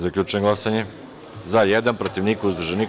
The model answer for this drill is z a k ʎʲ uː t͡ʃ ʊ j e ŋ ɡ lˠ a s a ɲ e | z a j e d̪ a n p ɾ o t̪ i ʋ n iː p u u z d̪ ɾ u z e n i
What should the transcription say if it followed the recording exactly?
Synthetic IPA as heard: z a k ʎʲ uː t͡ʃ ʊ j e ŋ ɡ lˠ a s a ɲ e | z a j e d̪ a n p ɾ o t̪ i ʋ n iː k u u z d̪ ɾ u ʒ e n i

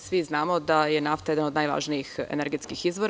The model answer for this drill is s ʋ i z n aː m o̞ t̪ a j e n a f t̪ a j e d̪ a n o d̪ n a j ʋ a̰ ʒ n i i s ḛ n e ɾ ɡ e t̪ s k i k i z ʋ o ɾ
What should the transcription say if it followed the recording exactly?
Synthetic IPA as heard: s ʋ i z n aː m o̞ d̪ a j e n a f t̪ a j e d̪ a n o d̪ n a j ʋ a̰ ʒ n i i x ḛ n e ɾ ɡ e t̪ s k i x i z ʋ o ɾ

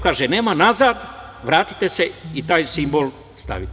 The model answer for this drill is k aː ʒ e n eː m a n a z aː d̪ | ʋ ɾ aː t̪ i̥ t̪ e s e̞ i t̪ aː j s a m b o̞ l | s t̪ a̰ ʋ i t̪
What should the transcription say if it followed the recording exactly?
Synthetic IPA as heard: k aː ʒ e n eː m a n a z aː d̪ | ʋ ɾ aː t̪ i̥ t̪ e s e̞ i t̪ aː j s i m b o̞ l | s t̪ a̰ ʋ i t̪

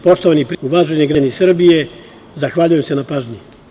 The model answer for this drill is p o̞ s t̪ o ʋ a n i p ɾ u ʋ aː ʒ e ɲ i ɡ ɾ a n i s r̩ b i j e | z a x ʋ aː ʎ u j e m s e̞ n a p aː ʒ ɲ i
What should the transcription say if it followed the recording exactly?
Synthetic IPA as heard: p o̞ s t̪ o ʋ a n i p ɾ u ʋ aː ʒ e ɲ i ɡ ɾ a n i s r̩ b i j e | z a x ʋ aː ʎ u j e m s e̞ n a p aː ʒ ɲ i

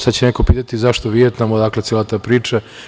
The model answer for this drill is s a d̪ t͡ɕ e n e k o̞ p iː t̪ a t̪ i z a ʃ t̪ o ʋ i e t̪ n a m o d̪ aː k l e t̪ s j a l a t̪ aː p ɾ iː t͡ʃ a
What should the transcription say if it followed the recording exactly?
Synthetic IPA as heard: s a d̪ t͡ɕ e n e k o̞ p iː t̪ a t̪ i z a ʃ t̪ o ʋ i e t̪ n a m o d̪ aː k l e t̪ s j e l a t̪ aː p ɾ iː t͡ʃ a

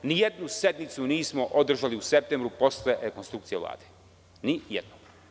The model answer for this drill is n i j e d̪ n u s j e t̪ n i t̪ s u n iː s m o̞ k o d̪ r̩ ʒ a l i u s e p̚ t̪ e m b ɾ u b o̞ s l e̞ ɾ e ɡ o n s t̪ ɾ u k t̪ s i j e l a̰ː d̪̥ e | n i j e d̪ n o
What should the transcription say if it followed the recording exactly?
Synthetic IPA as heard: n i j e d̪ n u s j e d̪ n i t̪ s u n iː s m o̞ ʔ o d̪ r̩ ʒ a l i u s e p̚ t̪ e m b ɾ u p o̞ s l e̞ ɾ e k o n s t̪ ɾ u k t̪ s i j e l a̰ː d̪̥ e | n i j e d̪ n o

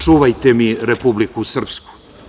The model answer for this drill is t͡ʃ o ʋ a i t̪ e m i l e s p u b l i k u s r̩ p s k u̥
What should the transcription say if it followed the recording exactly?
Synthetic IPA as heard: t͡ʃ u ʋ a j t̪ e m i ɾ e p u b l i k u s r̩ p s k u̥

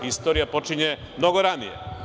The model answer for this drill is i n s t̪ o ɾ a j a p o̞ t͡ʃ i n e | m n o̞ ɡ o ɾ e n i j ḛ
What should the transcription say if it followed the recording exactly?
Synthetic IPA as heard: i s t̪ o ɾ i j a p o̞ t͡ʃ i ɲ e | m n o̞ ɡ o ɾ a n i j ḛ

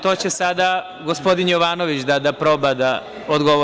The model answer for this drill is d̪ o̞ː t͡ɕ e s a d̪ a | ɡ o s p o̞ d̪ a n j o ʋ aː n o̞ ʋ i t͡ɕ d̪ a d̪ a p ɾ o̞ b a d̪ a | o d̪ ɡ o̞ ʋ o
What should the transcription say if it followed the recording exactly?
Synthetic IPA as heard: t̪ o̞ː t͡ɕ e s a d̪ a | ɡ o s p o̞ d̪ i n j o ʋ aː n o̞ ʋ i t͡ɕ d̪ a d̪ a p ɾ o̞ b a d̪ a | o d̪ ɡ o̞ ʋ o

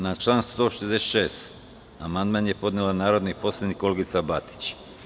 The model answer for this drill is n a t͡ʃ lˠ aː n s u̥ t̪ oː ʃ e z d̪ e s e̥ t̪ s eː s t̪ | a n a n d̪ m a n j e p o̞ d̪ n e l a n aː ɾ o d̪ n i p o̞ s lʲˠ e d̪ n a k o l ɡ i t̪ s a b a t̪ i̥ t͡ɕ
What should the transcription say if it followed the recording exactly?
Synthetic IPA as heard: n a t͡ʃ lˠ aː n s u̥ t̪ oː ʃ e z d̪ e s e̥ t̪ ʃ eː s t̪ | a m a n d̪ m a n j e p o̞ d̪ n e l a n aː ɾ o d̪ n i p o̞ s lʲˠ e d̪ n i k o l ɡ i t̪ s a b a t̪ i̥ t͡ɕ

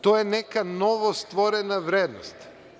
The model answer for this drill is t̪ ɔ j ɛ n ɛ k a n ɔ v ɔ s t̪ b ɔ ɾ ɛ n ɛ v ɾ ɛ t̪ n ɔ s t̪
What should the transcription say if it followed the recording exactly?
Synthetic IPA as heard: t̪ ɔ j ɛ n ɛ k a n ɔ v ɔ s t̪ v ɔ ɾ ɛ n a v ɾ ɛ d̪ n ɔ s t̪

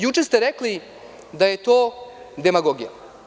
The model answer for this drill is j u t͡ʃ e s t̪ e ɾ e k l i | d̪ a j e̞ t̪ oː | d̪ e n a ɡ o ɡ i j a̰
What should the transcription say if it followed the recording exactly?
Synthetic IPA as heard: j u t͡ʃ e s t̪ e ɾ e k l i | d̪ a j e̞ t̪ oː | d̪ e m a ɡ o ɡ i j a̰

